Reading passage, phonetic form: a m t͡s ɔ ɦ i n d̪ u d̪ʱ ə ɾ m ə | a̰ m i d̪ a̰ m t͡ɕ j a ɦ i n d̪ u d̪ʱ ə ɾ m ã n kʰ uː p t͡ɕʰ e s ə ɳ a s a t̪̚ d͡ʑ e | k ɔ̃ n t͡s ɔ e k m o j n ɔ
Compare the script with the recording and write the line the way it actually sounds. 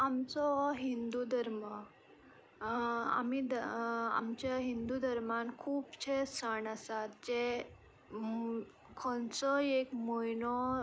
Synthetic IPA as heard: a m t͡s ɔ ɦ i n d̪ u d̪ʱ ə ɾ m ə | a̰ m i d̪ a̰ m t͡ɕ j a ɦ i n d̪ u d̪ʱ ə ɾ m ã n kʰ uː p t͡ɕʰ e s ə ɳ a s a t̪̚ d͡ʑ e | kʰ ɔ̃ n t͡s ɔ e k m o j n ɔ